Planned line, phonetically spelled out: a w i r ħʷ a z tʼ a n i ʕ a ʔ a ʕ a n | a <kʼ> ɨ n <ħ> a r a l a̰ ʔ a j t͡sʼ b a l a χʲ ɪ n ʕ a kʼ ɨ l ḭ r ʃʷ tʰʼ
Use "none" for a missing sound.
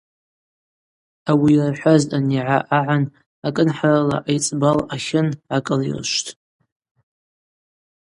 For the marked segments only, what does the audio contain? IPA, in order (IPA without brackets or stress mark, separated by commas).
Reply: kʼ, ħ